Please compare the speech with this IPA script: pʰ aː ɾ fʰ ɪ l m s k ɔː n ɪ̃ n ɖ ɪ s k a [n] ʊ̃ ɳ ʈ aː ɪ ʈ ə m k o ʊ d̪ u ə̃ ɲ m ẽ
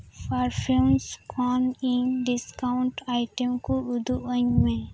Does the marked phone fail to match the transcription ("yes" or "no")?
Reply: yes